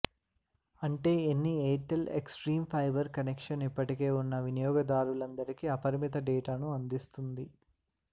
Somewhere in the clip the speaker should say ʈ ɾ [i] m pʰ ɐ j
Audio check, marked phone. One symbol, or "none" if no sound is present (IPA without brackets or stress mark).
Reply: iː